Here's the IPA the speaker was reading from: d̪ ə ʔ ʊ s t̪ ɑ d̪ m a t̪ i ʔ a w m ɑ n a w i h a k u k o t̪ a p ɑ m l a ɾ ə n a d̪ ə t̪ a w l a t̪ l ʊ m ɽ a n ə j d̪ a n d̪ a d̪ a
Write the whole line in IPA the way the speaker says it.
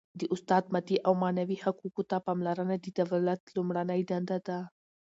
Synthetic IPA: d̪ ə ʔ ʊ s t̪ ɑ d̪ m a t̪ i ʔ a w m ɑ n a w i h a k u k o t̪ a p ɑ m l a ɾ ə n a d̪ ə d̪ a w l a t̪ l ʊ m ɽ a n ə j d̪ a n d̪ a d̪ a